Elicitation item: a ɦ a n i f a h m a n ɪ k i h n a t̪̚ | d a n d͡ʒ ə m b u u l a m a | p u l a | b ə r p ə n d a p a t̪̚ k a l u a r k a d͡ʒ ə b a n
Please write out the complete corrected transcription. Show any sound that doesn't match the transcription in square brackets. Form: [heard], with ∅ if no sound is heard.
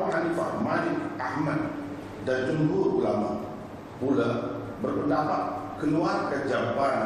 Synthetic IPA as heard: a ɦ a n i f a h m a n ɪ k [a] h [m] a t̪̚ | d a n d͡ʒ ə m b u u l a m a | p u l a | b ə r p ə n d a p a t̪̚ k [ə] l u a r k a d͡ʒ [a] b a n